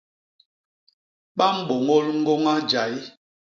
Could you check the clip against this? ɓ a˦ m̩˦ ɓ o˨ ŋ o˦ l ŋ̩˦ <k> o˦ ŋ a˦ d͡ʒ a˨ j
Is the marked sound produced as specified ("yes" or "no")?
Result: no